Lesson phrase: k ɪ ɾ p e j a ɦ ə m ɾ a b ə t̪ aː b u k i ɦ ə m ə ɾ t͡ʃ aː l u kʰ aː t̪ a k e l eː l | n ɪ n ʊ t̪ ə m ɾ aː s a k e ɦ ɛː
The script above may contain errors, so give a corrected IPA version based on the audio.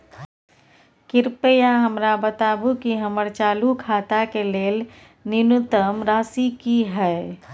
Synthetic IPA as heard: k ɪ ɾ p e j a ɦ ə m ɾ a b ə t̪ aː b u k i ɦ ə m ə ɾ t͡ʃ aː l u kʰ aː t̪ a k e l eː l | n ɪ n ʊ t̪ ə m ɾ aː s i k i ɦ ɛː